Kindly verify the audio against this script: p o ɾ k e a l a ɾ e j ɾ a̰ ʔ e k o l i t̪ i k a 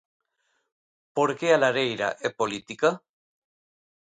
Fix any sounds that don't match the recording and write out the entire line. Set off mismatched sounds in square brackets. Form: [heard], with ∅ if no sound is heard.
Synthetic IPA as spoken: p o ɾ k e a l a ɾ e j ɾ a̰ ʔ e [p] o l i t̪ i k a